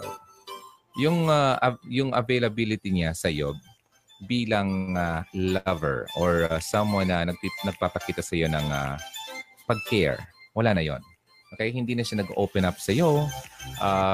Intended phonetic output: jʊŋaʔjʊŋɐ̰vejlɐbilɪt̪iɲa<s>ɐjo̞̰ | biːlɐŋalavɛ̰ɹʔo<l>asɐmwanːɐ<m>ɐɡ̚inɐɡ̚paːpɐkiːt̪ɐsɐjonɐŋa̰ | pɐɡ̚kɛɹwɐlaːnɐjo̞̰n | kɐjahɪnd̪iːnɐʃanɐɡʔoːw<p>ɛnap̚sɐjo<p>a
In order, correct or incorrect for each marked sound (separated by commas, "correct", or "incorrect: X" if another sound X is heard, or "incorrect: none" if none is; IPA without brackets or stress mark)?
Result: correct, incorrect: ɹ, incorrect: n, correct, incorrect: ʔ